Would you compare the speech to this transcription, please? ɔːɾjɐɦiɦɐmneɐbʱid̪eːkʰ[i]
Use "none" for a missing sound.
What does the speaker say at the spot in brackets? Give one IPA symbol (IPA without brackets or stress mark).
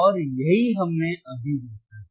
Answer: a